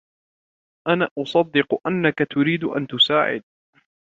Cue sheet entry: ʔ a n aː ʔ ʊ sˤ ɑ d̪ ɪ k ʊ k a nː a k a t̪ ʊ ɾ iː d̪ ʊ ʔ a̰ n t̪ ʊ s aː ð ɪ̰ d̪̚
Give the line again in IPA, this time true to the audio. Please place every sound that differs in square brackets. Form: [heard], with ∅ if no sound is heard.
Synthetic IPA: ʔ a n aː ʔ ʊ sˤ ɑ [d̪ː] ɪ [q] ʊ [ʔ] a nː a k a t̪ ʊ ɾ iː d̪ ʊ ʔ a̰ n t̪ ʊ s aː [ʕ] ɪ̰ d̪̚